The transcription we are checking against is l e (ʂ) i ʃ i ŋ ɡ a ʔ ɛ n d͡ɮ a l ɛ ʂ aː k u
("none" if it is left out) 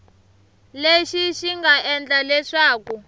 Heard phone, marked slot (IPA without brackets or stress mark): ʃ